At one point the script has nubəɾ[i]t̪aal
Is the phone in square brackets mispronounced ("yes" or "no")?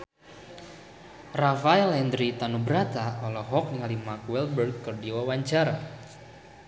yes